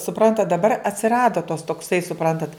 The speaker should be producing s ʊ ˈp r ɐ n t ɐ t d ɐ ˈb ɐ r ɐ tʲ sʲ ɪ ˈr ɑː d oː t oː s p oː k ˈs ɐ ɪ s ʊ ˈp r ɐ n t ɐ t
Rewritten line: s ʊ ˈp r ɐ n t ɐ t d ɐ ˈb ɐ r ɐ tʲ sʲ ɪ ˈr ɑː d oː t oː s t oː k ˈs ɐ ɪ s ʊ ˈp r ɐ n t ɐ t